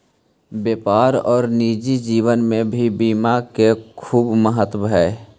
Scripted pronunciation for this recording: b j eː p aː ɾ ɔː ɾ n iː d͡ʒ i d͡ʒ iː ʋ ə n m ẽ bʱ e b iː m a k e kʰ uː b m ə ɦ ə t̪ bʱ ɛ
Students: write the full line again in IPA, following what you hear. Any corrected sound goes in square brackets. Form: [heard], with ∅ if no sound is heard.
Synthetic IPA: b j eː p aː ɾ ɔː ɾ n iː d͡ʒ i d͡ʒ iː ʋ ə n m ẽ bʱ [i] b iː m a k e kʰ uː b m ə ɦ ə t̪ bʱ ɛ